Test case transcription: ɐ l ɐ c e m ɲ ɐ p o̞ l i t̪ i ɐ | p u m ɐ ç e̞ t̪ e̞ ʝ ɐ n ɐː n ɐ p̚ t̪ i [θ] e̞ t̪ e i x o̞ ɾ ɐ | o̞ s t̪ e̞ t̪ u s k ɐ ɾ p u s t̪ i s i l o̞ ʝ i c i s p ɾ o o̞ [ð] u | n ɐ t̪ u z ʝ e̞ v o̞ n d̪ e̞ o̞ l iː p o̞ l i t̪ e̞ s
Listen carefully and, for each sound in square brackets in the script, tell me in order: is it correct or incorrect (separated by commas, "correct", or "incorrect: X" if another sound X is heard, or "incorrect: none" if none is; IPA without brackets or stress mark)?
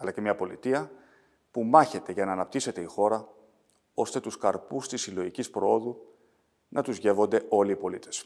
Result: incorrect: s, correct